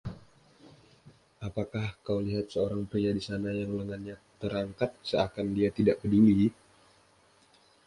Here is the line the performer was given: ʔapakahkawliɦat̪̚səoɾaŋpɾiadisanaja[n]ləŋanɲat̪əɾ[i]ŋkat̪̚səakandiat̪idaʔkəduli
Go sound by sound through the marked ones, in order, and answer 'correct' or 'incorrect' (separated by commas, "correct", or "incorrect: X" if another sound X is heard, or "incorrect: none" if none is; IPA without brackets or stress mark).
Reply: incorrect: ŋ, incorrect: a